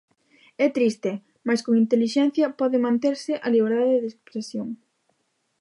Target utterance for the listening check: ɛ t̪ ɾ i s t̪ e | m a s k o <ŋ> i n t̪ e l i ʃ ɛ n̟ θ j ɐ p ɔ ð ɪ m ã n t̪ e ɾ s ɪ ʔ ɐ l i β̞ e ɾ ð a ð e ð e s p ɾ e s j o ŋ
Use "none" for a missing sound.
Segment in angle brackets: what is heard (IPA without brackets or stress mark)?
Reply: ŋ